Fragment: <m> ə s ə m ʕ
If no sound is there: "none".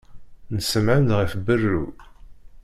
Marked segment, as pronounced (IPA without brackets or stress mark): n